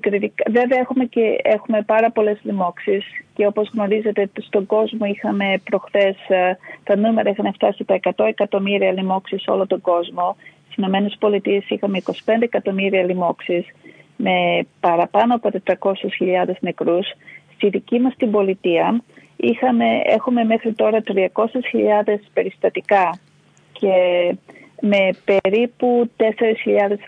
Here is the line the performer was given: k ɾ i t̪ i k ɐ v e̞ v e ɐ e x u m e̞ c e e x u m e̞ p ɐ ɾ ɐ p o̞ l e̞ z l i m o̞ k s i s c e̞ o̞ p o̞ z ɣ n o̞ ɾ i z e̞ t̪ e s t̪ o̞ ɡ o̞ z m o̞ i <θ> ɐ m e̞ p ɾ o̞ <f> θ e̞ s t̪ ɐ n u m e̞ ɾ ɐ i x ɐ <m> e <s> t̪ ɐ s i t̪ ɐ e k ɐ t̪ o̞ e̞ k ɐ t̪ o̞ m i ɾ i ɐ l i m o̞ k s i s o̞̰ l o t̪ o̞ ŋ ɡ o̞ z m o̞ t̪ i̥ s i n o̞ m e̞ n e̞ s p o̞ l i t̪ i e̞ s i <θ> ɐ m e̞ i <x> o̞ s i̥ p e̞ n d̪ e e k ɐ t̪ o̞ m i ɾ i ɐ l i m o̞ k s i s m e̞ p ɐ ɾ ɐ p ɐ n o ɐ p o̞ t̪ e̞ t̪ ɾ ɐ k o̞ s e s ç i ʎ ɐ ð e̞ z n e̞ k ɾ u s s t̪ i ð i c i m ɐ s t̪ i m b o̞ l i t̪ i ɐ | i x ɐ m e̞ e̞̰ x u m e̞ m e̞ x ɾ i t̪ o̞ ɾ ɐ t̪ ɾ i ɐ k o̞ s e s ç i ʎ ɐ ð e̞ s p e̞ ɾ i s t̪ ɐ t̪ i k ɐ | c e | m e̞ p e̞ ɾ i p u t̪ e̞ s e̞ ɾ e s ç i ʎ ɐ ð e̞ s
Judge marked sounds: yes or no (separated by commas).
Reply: no, no, no, no, no, no